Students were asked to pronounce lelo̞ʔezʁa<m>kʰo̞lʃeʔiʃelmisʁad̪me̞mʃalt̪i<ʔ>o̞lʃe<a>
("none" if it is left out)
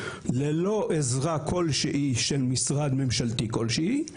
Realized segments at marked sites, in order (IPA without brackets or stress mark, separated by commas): none, k, i